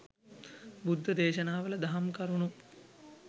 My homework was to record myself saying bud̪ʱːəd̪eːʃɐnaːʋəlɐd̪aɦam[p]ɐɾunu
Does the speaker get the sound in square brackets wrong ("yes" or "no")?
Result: yes